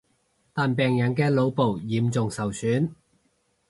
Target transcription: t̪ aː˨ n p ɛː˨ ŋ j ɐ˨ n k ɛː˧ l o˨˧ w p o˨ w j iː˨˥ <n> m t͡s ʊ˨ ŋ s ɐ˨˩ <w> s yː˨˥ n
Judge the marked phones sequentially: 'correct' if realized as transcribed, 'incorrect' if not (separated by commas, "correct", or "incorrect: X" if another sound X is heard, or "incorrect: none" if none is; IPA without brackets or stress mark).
incorrect: none, correct